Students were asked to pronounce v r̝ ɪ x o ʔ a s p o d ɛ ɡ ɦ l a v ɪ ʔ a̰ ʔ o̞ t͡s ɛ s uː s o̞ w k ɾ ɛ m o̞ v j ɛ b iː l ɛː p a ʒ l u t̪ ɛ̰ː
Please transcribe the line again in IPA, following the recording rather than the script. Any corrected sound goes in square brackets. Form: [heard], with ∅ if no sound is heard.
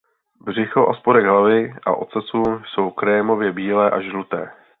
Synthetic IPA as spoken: [b] r̝ ɪ x o ʔ a s p o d ɛ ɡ ɦ l a v ɪ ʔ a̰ ʔ o̞ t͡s ɛ s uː s o̞ w k ɾ ɛ m o̞ v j ɛ b iː l ɛː [ʔ] a ʒ l u t̪ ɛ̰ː